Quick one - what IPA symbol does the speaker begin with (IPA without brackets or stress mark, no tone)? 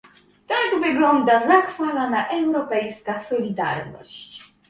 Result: t̪